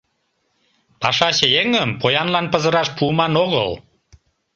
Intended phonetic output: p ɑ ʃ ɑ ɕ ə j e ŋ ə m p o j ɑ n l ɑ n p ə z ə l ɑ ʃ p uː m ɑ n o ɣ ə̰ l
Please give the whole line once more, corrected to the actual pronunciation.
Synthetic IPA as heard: p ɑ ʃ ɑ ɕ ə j e ŋ ə m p o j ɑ n l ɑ n p ə z ə ɾ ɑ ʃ p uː m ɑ n o ɣ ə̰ l